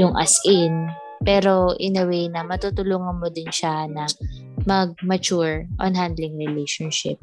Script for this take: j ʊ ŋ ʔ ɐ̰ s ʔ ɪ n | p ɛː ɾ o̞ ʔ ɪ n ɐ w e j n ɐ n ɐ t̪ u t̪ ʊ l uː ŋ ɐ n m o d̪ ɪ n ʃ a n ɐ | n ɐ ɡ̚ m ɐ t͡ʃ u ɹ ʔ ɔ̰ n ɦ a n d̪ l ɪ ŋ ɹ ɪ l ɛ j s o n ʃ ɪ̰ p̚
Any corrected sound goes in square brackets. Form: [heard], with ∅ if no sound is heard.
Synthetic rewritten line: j ʊ ŋ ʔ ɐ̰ s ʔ ɪ n | p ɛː ɾ o̞ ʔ ɪ n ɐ w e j n ɐ [m] ɐ t̪ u t̪ ʊ l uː ŋ ɐ n m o d̪ ɪ n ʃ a n ɐ | [m] ɐ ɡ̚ m ɐ t͡ʃ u ɹ ʔ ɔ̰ n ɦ a n d̪ l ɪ ŋ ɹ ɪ l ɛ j [ʃ] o n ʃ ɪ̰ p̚